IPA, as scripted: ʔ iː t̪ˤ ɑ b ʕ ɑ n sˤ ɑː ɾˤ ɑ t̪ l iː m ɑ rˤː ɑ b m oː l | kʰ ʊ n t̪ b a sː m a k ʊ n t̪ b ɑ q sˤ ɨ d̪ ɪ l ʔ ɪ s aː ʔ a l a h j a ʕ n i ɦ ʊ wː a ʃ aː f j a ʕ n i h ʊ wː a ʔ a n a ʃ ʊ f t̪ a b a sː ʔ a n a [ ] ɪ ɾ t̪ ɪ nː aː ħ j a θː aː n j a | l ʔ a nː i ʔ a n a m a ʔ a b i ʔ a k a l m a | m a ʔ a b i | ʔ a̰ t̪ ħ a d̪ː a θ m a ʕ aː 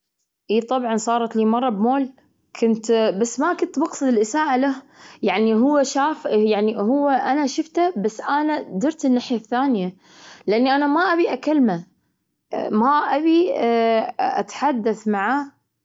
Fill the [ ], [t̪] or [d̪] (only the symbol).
d̪